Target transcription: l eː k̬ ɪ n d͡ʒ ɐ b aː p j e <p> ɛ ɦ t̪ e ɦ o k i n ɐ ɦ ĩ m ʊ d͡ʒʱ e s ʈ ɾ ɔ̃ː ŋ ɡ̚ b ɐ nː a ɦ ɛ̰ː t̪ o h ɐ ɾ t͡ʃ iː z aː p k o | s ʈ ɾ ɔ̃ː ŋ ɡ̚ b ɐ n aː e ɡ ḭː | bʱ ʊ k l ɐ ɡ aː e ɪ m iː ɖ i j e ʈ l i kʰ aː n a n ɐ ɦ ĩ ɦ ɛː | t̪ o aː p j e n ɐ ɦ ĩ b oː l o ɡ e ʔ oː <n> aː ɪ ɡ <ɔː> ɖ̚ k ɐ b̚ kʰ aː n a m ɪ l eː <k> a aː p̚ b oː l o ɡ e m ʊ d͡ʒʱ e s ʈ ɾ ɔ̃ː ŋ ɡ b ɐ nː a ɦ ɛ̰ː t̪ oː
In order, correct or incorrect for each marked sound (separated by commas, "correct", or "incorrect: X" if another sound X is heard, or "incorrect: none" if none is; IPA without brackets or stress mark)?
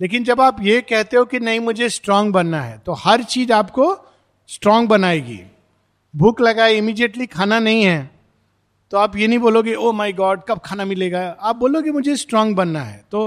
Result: incorrect: k, incorrect: m, correct, incorrect: ɡ